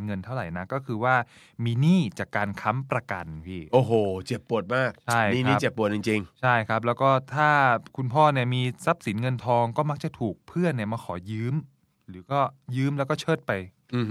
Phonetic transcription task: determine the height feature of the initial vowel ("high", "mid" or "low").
mid